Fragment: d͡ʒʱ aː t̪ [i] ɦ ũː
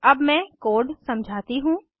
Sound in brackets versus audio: correct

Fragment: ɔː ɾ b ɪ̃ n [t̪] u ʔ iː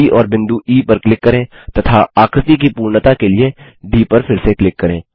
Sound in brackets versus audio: incorrect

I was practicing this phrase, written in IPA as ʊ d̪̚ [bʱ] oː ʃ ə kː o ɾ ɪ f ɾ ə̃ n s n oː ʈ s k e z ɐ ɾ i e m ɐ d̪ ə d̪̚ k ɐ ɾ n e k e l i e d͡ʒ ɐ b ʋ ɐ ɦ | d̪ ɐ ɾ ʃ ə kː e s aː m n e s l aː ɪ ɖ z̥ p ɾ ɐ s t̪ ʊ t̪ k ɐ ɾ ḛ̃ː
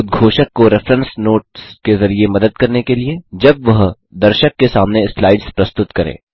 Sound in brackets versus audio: incorrect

